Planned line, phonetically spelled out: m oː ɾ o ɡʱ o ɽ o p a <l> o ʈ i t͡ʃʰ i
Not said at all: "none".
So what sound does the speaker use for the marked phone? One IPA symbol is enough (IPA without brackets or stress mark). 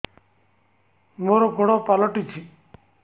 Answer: l